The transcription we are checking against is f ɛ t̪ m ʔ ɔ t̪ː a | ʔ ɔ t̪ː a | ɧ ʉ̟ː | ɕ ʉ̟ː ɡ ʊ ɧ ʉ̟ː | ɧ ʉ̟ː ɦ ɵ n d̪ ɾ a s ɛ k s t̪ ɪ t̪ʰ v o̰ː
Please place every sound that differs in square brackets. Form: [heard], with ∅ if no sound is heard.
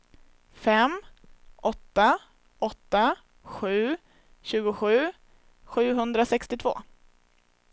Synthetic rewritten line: f ɛ [∅] m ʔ ɔ t̪ː a | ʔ ɔ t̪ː a | ɧ ʉ̟ː | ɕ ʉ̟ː ɡ ʊ ɧ ʉ̟ː | ɧ ʉ̟ː ɦ ɵ n d̪ ɾ a s ɛ k s t̪ ɪ t̪ʰ v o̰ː